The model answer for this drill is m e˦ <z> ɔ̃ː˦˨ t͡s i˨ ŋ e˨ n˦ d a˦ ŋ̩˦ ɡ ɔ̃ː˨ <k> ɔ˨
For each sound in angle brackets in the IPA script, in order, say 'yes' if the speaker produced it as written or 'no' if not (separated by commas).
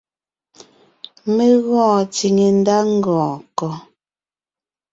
no, yes